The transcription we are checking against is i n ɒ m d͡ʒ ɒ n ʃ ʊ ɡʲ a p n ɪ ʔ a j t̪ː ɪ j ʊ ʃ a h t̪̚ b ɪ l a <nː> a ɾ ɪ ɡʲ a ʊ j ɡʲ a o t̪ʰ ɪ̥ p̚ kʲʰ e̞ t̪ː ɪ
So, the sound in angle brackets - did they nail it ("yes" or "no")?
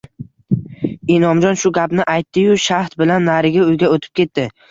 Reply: yes